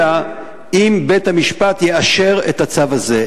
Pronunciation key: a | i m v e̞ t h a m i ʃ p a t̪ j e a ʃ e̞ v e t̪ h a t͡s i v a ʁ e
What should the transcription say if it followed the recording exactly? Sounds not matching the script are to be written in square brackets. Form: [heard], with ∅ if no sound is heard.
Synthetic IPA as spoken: a | i m [b] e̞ t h a m i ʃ p a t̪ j e a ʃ e̞ [ʁ] e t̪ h a t͡s [a] v a [z] e